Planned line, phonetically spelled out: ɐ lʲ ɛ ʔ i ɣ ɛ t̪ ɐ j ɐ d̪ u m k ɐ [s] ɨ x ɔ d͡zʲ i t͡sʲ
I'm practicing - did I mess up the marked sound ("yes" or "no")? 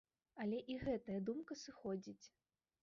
no